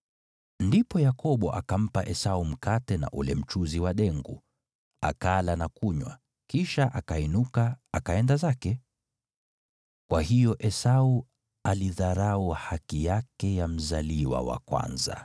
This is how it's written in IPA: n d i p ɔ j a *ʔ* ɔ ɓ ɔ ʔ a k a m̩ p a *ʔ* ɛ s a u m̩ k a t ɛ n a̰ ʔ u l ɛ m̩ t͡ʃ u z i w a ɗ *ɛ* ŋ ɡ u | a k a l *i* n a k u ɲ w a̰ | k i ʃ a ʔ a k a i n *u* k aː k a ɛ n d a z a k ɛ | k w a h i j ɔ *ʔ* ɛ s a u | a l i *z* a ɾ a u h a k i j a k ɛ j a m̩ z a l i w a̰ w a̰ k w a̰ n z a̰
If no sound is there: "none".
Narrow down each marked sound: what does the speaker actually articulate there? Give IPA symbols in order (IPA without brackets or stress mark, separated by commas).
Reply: k, ʔ, ɛ, a, u, ʔ, ð